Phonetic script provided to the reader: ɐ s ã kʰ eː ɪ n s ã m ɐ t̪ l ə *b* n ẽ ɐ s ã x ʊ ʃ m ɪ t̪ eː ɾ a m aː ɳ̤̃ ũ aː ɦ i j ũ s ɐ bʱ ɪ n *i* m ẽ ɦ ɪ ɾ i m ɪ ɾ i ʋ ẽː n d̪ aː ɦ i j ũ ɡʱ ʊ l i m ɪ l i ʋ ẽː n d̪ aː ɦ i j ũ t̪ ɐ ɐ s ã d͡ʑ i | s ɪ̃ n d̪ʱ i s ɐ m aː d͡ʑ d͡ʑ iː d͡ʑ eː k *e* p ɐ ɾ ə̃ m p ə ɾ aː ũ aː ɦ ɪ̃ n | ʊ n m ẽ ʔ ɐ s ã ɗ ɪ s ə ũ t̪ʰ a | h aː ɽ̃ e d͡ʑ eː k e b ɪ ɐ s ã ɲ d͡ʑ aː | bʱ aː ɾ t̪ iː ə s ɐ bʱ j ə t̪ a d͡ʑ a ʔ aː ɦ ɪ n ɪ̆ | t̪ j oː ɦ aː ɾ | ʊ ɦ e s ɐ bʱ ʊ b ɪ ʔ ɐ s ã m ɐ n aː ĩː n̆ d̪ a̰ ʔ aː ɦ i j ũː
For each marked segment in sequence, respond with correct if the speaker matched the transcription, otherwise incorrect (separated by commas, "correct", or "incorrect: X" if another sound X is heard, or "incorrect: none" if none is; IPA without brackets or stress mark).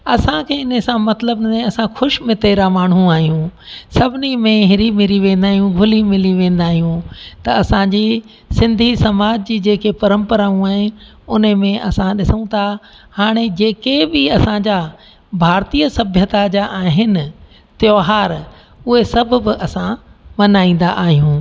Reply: correct, correct, correct